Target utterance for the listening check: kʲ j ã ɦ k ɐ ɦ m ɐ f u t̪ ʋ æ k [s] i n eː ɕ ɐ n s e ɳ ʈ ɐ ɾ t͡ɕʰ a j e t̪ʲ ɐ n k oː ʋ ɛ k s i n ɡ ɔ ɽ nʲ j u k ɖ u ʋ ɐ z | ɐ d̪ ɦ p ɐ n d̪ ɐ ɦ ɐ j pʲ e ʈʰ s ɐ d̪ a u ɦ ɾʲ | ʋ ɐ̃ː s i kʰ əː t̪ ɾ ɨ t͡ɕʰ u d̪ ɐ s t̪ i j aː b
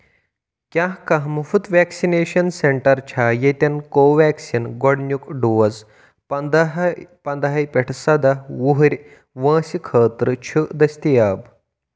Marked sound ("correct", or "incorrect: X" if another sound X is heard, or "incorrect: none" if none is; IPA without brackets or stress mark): correct